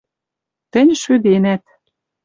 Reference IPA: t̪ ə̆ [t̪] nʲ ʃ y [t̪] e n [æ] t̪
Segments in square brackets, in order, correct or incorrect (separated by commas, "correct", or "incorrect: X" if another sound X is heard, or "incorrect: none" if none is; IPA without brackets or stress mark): incorrect: none, incorrect: d̪, correct